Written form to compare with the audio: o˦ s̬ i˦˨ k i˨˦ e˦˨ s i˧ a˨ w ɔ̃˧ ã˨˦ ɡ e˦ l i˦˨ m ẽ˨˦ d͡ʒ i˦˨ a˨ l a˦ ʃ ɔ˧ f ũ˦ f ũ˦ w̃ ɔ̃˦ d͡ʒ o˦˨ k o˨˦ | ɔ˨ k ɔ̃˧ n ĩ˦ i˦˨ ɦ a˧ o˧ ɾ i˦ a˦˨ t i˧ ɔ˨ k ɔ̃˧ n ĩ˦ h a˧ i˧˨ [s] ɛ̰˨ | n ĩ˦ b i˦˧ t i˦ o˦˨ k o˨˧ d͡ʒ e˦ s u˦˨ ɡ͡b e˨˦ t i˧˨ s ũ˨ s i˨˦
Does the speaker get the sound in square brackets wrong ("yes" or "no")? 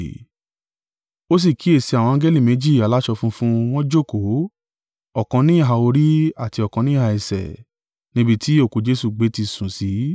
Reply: no